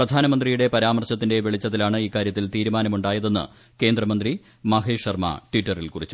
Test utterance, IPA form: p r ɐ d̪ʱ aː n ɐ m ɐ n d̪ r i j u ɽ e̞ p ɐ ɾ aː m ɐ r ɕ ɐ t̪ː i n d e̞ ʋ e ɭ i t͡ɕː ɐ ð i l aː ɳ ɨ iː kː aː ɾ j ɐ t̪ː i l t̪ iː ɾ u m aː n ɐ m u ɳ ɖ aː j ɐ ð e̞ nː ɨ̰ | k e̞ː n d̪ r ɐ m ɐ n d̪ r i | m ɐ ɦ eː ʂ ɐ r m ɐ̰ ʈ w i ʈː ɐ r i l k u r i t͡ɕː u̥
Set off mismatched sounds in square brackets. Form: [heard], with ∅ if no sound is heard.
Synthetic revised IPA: p r ɐ d̪ʱ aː n ɐ m ɐ n d̪ r i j u ɽ e̞ p ɐ ɾ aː m ɐ r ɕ ɐ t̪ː i n d e̞ ʋ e ɭ i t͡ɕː ɐ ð i l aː ɳ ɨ iː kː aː ɾ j ɐ t̪ː i l t̪ iː ɾ u m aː n ɐ m u ɳ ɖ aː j ɐ ð e̞ nː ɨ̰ | k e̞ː n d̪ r ɐ m ɐ n d̪ r i | m ɐ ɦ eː ʂ ɐ r m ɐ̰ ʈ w i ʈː ɐ r i l k u r i t͡ɕː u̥